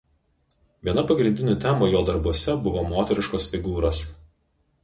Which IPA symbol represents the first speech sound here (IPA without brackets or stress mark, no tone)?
ʋʲ